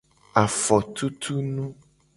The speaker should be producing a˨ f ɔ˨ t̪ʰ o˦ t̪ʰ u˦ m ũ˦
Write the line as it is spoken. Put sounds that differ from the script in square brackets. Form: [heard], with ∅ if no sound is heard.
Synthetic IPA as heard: a˨ f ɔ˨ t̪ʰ [u˦] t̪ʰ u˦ [n] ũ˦